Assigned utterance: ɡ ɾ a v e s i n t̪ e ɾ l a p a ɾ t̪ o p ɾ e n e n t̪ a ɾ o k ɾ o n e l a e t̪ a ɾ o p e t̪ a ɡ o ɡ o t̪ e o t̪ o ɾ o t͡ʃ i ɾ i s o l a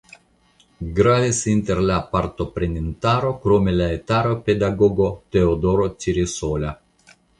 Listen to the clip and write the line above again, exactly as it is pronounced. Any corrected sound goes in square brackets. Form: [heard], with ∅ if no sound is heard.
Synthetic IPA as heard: ɡ ɾ a v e s i n t̪ e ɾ l a p a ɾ t̪ o p ɾ e n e n t̪ a ɾ o k ɾ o [m] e l a e t̪ a ɾ o p e [d̪] a ɡ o ɡ o t̪ e o [d̪] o ɾ o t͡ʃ i ɾ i s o l a